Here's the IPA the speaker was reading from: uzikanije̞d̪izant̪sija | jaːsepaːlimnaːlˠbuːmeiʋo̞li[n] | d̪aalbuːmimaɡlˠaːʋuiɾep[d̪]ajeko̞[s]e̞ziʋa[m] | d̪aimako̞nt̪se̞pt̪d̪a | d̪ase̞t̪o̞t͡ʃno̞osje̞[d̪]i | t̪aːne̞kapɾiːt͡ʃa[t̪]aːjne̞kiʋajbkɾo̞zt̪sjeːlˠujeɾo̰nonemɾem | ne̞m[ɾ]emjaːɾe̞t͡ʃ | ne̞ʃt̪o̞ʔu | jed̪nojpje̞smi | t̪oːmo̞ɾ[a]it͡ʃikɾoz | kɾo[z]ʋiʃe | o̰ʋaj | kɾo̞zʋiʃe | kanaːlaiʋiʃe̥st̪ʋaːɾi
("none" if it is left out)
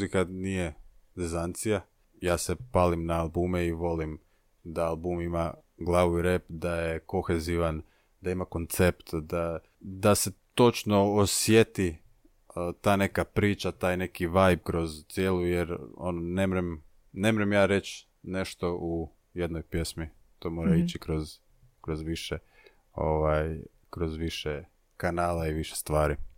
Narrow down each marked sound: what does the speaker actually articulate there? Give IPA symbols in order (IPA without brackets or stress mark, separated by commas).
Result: m, d̪, x, n, t̪, t̪, ɾ, a, z